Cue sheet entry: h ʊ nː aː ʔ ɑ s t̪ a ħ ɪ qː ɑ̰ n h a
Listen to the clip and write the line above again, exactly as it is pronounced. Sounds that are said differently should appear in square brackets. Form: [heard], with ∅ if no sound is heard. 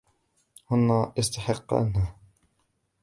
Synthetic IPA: h ʊ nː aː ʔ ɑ s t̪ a ħ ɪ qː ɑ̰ n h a